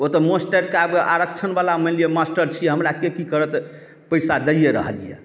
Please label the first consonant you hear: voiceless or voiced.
voiceless